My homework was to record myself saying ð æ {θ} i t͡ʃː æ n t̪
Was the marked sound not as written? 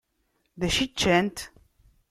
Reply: yes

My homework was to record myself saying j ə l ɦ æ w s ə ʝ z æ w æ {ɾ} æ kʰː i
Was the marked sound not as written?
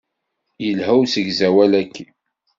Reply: yes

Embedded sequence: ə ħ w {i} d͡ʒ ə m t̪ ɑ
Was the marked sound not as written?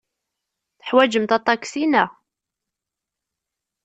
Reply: yes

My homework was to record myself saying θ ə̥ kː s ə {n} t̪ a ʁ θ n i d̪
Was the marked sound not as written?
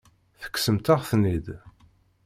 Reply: yes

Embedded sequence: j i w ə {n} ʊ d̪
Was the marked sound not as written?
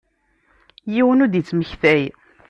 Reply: no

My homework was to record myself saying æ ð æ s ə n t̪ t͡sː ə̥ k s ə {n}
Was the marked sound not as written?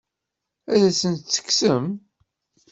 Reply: yes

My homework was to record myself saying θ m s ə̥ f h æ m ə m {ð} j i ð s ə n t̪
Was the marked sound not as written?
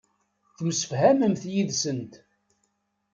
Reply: yes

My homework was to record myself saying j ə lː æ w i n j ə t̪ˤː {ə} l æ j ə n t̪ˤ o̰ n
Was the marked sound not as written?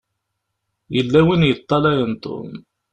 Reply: yes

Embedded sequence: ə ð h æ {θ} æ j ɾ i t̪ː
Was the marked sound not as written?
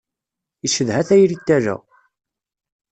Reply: no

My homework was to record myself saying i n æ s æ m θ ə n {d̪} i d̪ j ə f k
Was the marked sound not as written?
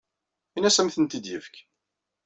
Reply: yes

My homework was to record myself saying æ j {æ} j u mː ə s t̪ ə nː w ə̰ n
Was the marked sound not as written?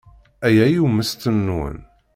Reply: no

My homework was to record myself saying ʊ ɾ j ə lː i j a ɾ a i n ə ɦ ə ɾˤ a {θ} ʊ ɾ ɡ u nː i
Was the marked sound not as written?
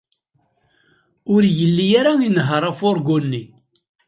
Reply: yes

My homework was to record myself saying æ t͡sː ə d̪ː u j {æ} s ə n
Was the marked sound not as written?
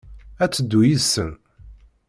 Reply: yes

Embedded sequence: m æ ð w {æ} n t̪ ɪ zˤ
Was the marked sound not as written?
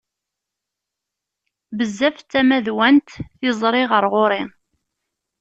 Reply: no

